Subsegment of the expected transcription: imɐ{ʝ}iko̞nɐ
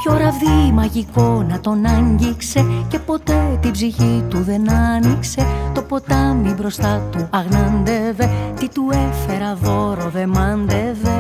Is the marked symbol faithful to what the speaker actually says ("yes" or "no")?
yes